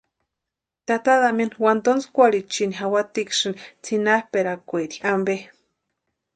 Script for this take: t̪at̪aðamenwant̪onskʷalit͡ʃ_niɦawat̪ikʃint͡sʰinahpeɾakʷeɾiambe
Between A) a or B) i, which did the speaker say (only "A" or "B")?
B